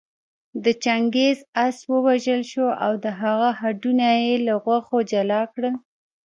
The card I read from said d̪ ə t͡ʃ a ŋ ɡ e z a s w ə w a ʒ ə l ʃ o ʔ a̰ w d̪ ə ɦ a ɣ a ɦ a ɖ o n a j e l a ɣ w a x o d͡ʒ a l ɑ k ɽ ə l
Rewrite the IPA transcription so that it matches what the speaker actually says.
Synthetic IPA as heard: d̪ ə t͡ʃ a ŋ ɡ e z a s w ə w a ʒ ə l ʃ o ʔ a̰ w d̪ ə ɦ a ɣ a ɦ a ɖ u n a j e l a ɣ w a x o d͡ʒ a l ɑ k ɽ ə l